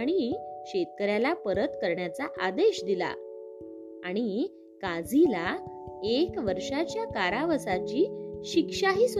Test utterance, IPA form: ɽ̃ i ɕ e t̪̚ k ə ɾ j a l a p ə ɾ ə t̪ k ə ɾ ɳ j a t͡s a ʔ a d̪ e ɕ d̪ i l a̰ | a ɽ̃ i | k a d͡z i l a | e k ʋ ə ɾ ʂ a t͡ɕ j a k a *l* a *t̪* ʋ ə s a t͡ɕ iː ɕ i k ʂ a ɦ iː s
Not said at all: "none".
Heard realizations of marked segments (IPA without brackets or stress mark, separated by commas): ɾ, none